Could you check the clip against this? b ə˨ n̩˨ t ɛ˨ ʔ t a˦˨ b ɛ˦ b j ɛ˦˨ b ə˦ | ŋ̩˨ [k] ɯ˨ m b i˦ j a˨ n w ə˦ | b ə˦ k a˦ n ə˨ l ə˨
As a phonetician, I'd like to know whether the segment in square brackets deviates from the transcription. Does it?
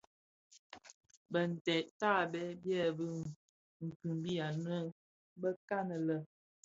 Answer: no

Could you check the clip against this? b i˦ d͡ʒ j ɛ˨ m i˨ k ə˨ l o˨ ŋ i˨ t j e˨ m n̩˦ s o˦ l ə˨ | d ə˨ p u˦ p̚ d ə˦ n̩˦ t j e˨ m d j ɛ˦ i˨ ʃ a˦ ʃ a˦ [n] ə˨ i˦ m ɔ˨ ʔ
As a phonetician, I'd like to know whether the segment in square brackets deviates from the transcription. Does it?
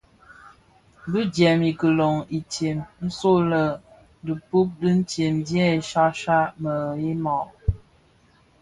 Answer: yes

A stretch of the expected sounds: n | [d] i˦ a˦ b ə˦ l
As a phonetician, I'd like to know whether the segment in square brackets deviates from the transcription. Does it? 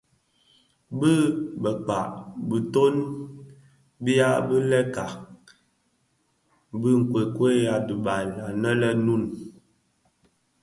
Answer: yes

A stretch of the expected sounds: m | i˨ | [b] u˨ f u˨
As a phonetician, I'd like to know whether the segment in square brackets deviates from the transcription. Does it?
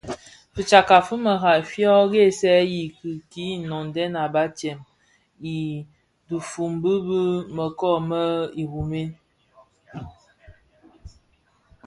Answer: yes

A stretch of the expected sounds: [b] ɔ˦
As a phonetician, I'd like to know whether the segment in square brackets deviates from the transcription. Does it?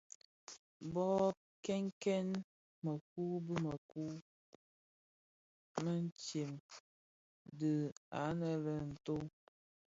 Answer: no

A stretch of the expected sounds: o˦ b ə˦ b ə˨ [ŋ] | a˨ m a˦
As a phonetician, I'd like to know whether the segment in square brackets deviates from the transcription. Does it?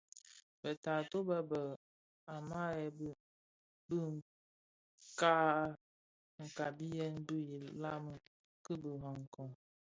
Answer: yes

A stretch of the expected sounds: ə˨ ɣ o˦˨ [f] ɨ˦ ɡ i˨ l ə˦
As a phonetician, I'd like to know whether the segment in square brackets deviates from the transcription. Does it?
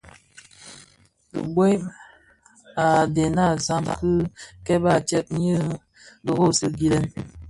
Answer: yes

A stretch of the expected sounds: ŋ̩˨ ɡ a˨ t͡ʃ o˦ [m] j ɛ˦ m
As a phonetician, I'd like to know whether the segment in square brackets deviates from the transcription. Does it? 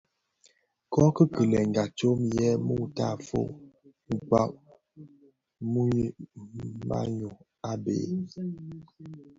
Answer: no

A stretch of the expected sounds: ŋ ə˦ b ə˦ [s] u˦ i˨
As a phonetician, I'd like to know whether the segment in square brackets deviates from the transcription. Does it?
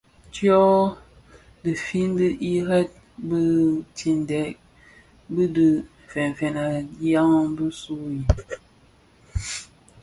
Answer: no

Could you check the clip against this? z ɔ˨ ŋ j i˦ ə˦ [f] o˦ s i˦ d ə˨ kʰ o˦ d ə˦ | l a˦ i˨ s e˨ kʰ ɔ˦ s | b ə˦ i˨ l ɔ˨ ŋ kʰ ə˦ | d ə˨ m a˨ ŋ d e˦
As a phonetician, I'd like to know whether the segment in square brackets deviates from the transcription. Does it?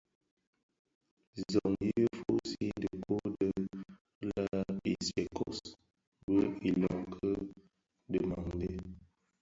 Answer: no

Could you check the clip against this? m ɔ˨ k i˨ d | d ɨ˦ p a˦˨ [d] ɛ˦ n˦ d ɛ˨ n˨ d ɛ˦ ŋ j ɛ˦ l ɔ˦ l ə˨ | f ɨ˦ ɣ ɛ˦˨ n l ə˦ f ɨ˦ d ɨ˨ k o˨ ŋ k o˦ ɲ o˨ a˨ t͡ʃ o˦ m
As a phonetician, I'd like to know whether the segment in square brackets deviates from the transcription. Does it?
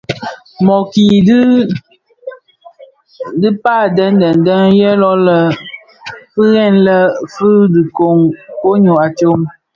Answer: no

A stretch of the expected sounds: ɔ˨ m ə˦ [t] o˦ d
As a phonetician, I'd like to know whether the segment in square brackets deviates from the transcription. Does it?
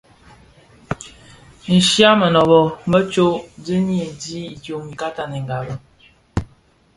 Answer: yes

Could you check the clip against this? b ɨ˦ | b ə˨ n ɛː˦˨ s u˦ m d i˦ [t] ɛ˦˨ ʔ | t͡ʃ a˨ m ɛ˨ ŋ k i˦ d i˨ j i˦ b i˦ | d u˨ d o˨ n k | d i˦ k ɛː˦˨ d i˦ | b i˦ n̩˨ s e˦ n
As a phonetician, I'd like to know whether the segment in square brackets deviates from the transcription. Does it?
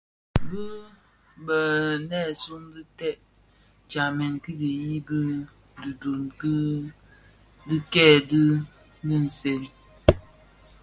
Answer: no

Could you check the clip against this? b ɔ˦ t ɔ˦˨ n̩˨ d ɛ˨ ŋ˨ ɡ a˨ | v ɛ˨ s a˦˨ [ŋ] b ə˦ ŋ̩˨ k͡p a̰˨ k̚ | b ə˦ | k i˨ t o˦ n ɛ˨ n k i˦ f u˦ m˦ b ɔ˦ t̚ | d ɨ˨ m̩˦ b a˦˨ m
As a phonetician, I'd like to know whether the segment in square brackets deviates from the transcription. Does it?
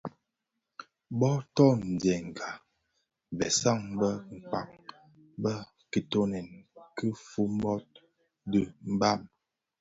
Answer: no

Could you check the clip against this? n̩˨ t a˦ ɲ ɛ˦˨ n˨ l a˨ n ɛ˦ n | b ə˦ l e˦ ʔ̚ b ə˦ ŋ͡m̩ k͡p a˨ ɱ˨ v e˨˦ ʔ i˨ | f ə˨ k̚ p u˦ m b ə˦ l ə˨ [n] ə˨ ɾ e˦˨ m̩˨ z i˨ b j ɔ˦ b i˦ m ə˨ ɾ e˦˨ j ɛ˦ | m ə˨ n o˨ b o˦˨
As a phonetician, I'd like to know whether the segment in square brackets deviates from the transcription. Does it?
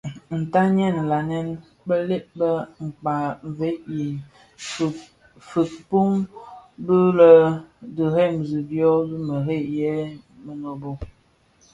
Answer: yes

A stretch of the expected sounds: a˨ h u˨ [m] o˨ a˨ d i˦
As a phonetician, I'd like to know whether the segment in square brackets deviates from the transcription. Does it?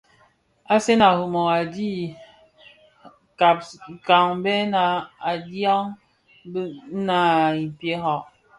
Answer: no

